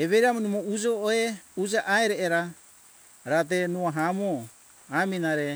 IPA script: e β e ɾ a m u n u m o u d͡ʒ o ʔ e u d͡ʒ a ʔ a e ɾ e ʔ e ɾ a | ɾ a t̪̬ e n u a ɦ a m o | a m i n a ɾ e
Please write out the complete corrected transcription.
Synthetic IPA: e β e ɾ a m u n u m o u d͡ʒ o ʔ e u d͡ʒ a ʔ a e ɾ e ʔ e ɾ a | ɾ a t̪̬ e n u a ɦ a m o | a m i n a ɾ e

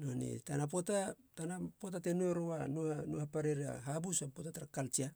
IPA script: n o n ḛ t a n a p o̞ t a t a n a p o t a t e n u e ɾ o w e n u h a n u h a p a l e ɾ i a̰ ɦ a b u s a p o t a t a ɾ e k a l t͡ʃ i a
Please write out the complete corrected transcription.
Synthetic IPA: n o n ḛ t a n a p o̞ t a t a n a p o t a t e n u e ɾ o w a n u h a n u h a p a ɾ e ɾ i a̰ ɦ a b u s a p o t a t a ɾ a k a l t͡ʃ i a

